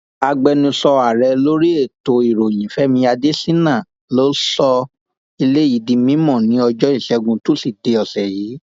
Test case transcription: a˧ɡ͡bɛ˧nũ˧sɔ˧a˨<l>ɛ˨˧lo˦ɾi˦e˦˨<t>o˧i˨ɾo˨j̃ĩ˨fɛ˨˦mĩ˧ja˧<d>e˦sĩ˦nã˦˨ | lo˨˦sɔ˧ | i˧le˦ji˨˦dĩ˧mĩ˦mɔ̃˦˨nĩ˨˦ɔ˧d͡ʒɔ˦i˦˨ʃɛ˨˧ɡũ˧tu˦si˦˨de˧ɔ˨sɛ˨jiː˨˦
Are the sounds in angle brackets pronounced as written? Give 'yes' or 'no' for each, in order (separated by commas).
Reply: no, yes, yes